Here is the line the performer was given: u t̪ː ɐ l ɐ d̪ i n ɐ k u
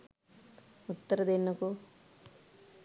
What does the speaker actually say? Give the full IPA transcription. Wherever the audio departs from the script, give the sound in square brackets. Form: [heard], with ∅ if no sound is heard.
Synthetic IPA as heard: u t̪ː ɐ [ɾ] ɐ d̪ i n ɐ k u